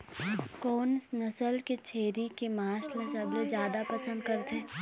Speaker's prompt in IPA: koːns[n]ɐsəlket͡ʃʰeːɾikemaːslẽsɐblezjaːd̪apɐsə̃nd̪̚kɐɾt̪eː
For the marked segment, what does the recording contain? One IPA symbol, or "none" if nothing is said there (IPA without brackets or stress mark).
n